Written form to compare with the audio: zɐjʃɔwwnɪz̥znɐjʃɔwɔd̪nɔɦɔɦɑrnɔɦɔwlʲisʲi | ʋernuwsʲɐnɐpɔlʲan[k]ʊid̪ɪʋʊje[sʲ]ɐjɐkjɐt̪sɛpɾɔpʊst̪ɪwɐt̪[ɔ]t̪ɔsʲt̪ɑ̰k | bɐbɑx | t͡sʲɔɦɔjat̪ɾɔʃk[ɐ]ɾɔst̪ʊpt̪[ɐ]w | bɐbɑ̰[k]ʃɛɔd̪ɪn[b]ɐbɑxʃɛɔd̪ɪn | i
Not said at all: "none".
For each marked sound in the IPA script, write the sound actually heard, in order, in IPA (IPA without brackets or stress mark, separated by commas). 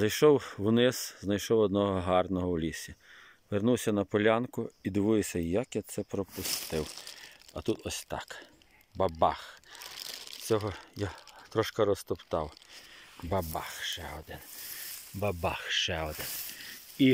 k, sʲ, u, ɐ, ɑ, x, b